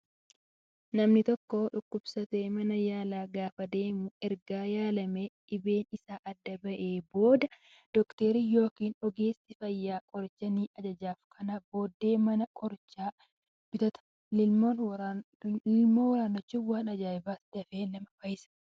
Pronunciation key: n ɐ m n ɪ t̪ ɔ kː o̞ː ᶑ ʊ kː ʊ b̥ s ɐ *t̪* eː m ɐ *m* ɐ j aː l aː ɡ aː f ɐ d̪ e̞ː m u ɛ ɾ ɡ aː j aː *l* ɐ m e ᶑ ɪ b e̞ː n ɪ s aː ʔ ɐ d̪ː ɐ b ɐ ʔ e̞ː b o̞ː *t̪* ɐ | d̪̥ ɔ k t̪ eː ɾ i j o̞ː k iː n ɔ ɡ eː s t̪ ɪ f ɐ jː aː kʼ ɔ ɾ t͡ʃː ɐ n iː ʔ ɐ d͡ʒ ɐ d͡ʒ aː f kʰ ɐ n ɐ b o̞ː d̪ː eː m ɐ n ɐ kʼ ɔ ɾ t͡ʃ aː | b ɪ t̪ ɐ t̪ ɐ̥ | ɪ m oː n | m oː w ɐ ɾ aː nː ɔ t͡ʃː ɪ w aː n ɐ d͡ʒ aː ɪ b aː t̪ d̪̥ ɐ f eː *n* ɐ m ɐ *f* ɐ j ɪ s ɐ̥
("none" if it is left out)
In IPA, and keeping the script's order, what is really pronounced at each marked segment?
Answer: t̪, n, l, d̪, n, f

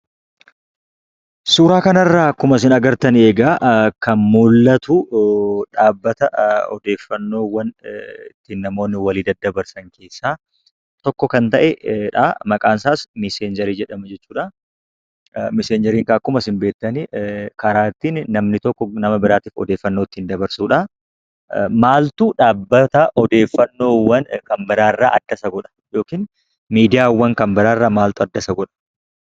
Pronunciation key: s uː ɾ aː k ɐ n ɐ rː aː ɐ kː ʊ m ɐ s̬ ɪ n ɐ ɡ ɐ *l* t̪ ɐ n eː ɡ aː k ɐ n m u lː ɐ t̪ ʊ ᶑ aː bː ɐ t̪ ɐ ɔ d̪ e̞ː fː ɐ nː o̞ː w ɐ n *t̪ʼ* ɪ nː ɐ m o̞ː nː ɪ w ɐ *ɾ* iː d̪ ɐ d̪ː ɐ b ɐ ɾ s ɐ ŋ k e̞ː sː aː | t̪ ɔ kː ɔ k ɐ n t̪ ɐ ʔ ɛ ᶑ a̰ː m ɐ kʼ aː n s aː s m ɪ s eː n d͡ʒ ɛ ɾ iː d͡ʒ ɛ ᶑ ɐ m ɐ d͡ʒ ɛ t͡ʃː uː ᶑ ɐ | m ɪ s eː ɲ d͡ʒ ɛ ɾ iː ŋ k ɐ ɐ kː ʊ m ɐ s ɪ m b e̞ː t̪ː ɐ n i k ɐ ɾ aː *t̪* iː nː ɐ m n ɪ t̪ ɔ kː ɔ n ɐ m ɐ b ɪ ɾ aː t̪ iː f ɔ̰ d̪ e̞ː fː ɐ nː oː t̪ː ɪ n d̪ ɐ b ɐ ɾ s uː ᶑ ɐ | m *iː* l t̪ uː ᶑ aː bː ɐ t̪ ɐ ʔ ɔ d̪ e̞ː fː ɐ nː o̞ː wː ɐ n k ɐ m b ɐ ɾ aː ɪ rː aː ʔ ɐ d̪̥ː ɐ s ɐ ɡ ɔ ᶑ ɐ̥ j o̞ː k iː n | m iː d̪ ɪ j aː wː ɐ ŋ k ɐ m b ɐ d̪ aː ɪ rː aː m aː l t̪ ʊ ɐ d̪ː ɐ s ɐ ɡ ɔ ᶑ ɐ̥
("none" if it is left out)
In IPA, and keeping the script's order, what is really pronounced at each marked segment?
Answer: ɾ, t̪, l, t̪, aː

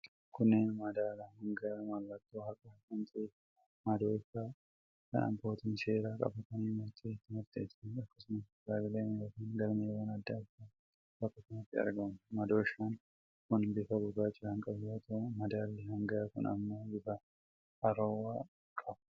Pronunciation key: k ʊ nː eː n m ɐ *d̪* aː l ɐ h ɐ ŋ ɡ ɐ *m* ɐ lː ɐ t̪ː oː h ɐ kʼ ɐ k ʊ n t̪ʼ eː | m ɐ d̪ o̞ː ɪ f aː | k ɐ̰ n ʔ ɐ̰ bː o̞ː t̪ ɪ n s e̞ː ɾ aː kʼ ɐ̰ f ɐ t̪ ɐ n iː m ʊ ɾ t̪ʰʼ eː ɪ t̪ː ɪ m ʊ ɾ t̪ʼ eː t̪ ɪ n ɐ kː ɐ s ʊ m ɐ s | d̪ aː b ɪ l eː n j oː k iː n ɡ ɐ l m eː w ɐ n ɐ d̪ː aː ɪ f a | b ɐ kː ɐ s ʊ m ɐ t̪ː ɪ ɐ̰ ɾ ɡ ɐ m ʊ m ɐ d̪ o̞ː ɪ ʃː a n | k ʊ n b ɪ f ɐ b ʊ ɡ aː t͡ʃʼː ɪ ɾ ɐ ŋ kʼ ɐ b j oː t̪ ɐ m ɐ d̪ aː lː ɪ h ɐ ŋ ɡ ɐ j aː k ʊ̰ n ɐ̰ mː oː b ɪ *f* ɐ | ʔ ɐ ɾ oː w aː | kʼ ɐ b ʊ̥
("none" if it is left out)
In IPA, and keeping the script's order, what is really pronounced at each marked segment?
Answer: d̪, m, f

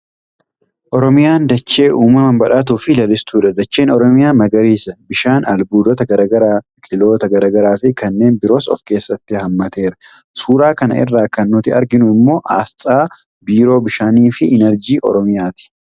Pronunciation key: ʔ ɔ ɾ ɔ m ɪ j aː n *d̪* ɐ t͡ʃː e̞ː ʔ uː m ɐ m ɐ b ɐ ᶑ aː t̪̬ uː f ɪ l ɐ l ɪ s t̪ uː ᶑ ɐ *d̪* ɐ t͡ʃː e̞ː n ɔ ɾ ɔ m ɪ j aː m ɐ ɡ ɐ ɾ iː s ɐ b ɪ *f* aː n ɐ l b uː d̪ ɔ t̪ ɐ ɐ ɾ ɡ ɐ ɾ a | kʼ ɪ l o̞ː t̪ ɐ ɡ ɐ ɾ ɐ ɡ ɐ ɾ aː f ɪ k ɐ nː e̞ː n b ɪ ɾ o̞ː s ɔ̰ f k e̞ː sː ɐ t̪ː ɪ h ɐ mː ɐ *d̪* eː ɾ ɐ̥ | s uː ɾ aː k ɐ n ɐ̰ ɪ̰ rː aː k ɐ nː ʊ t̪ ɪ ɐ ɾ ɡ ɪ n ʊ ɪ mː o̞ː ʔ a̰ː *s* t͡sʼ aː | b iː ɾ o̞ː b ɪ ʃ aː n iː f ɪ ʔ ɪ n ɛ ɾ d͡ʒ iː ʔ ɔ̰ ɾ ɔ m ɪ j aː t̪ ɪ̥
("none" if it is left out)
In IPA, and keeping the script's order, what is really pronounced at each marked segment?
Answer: d̪, d̪, ʃ, t̪, s

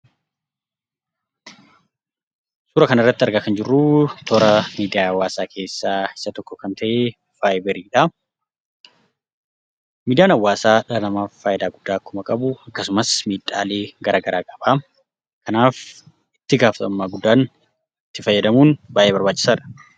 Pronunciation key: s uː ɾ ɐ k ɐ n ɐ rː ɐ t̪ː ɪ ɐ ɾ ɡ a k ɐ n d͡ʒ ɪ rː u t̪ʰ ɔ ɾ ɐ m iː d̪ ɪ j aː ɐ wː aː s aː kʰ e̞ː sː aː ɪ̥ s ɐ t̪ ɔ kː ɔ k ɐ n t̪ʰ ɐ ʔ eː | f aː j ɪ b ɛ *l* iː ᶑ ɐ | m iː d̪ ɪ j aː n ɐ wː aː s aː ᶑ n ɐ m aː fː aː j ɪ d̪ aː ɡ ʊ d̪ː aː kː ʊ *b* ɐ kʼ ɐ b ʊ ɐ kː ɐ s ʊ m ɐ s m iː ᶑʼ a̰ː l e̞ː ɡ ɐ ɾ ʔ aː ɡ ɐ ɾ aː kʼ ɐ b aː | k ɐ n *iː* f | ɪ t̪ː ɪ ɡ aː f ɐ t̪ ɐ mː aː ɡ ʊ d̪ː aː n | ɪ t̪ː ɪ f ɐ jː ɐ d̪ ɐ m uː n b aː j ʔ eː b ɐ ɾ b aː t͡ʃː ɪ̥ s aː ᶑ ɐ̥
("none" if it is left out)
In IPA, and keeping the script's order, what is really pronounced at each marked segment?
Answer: ɾ, m, aː

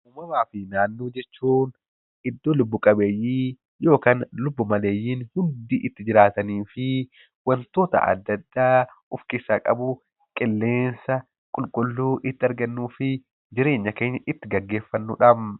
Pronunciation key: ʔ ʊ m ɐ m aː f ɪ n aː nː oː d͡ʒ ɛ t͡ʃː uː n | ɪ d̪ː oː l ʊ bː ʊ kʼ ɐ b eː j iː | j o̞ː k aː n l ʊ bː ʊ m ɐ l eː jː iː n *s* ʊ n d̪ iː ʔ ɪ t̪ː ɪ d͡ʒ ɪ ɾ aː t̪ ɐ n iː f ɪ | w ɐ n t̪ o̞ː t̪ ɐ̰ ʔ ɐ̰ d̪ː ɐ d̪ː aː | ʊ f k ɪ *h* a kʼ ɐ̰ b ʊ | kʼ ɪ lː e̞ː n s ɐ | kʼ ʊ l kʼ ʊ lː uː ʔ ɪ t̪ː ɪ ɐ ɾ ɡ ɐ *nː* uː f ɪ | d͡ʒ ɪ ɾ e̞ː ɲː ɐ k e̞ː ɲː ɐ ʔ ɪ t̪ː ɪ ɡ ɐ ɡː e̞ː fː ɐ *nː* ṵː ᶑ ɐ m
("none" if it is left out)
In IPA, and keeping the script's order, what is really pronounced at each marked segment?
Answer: h, s, nː, nː

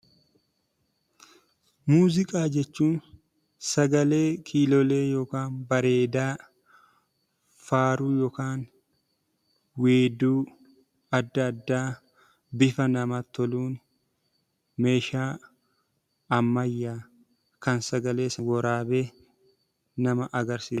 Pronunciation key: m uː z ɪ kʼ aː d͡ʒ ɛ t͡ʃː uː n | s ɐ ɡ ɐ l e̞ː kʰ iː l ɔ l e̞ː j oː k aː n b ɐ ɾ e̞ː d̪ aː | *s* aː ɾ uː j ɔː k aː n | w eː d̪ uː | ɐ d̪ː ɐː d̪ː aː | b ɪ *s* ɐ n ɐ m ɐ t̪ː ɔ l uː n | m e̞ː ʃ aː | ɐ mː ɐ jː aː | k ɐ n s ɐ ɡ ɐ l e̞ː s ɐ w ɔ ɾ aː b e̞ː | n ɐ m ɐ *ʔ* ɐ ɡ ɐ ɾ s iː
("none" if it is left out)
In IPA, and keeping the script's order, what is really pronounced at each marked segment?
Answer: f, f, ʔ

